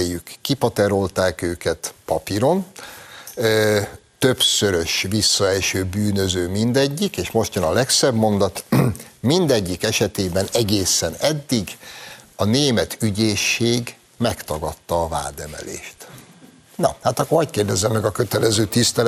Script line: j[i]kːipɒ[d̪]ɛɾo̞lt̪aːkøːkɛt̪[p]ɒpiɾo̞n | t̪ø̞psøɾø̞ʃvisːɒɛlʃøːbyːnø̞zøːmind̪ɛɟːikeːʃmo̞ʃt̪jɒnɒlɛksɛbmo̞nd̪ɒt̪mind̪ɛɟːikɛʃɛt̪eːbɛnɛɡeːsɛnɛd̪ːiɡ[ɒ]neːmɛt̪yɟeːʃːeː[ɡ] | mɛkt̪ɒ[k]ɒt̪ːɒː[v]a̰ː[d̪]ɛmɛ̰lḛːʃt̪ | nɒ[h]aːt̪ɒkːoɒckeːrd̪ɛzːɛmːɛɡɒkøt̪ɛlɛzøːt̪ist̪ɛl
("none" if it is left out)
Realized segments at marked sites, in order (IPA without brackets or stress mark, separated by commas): y, t̪, p, ɒ, ɡ, ɡ, v, d̪, h